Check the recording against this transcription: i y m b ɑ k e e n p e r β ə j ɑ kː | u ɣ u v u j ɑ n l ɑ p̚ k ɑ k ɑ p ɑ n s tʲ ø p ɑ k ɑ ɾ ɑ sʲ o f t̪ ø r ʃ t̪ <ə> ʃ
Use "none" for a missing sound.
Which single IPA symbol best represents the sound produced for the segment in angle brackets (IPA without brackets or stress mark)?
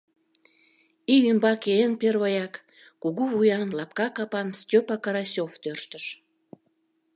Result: ə